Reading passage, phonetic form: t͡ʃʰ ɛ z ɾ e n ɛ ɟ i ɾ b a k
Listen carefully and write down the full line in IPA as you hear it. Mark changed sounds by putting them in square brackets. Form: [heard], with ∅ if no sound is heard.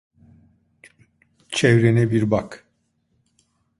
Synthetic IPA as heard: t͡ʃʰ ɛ [v] ɾ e n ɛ [b] i ɾ b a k